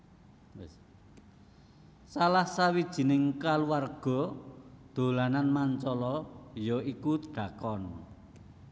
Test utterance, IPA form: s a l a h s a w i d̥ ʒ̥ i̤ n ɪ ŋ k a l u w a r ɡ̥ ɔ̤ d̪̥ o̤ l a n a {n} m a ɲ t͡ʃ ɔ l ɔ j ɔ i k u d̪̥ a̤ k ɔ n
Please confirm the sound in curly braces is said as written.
yes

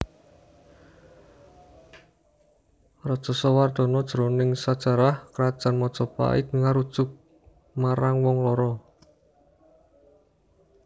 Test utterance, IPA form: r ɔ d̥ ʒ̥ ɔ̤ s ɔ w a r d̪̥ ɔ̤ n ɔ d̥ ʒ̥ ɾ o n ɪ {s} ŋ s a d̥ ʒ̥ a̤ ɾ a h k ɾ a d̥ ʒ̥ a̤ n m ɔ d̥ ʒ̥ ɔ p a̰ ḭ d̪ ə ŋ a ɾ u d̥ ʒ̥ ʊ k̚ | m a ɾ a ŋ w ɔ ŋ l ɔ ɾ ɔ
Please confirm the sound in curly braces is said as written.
no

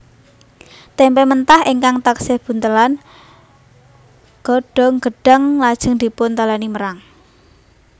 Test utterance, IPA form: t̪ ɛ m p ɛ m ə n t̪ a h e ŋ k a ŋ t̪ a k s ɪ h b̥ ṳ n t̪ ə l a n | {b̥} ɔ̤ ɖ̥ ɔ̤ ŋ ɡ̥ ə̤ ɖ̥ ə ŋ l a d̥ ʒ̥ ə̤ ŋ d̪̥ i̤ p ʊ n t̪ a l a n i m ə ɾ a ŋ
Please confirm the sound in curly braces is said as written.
no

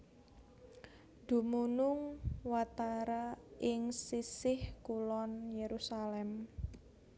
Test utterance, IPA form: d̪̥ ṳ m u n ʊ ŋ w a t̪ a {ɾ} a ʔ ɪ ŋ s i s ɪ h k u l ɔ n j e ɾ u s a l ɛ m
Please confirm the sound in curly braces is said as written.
yes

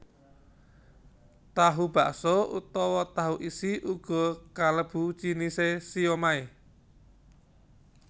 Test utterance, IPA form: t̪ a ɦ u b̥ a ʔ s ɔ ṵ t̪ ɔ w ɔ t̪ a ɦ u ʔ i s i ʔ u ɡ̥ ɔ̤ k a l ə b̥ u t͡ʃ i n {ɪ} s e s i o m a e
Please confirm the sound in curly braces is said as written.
no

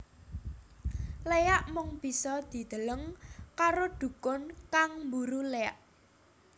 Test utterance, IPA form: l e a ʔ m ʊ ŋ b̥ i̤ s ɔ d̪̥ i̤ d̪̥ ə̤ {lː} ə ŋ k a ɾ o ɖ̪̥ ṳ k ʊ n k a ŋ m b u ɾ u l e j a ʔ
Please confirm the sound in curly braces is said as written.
no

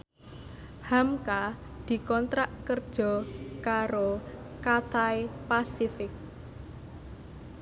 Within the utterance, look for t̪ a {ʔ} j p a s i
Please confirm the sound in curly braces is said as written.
no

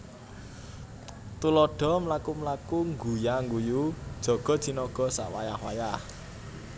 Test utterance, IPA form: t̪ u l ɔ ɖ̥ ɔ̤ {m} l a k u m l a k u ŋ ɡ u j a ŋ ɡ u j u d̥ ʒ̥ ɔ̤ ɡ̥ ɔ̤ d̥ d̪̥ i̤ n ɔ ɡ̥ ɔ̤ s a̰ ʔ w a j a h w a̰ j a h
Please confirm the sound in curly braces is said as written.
yes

